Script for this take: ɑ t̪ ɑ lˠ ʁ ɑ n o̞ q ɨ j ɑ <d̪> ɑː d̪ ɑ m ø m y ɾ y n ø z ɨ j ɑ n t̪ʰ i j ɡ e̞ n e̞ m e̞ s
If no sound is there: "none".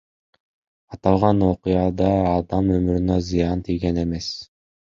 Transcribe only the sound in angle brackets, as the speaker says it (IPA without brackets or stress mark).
d̪